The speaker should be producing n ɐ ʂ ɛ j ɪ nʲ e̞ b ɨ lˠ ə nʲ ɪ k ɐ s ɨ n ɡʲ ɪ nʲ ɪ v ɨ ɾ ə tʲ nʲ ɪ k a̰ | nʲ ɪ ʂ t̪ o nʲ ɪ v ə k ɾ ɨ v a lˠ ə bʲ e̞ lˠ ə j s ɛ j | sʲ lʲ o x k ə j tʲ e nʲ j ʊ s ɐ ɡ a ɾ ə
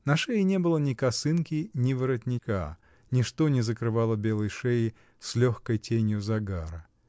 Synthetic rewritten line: n ɐ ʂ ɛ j ɪ nʲ e̞ b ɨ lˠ ə nʲ ɪ k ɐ s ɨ n kʲ ɪ nʲ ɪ v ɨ ɾ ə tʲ nʲ ɪ k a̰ | nʲ ɪ ʂ t̪ o nʲ ɪ z ə k ɾ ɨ v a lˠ ə bʲ e̞ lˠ ə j ʂ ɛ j | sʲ lʲ o x k ə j tʲ e nʲ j ʊ z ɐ ɡ a ɾ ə